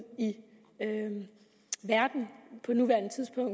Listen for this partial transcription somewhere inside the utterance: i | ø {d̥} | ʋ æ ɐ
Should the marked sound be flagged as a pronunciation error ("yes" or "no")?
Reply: yes